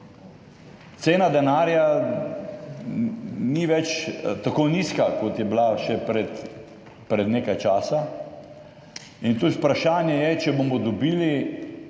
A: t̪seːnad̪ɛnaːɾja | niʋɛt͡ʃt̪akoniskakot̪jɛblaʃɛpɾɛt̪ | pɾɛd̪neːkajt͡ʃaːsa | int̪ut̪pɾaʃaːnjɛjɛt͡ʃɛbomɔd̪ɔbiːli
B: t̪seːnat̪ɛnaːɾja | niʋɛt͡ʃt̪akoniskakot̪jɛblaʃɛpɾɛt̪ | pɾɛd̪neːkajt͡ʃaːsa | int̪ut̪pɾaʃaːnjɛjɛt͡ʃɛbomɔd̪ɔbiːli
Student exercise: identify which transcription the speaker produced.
A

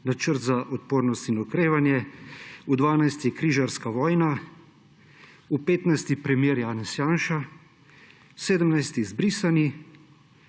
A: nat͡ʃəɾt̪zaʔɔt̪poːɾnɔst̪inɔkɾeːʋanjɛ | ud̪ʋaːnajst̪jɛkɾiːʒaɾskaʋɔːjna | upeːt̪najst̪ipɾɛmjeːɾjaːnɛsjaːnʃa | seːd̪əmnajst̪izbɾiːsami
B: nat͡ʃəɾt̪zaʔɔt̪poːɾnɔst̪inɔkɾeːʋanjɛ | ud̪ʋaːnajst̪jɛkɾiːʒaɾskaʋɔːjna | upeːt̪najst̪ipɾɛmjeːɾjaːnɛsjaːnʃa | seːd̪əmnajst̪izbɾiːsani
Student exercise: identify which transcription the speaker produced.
B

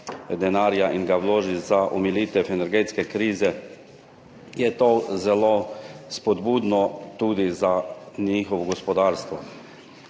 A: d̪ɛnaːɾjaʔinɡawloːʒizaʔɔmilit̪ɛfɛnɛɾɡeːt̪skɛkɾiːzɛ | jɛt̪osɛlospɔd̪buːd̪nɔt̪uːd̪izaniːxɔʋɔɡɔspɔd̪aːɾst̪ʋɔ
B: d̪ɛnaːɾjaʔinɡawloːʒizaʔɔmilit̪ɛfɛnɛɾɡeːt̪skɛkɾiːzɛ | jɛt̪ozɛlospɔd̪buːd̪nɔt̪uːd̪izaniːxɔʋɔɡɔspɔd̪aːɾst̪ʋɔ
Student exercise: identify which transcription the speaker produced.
B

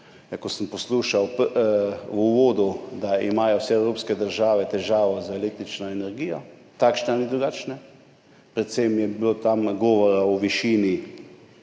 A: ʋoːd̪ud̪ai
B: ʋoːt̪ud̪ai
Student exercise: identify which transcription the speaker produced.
A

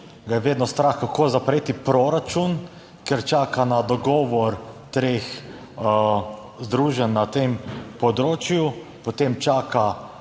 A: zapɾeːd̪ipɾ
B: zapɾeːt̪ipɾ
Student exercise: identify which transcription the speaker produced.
B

